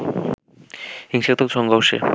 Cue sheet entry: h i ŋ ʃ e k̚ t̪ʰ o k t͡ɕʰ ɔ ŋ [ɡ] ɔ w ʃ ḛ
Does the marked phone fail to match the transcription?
no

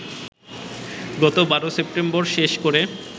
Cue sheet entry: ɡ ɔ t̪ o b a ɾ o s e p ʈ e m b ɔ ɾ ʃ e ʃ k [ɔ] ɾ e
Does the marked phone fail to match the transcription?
yes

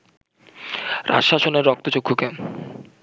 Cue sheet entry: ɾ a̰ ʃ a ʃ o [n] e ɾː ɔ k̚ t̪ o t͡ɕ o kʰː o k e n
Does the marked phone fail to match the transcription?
no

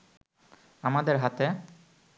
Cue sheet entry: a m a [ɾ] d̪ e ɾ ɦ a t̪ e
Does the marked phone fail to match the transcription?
yes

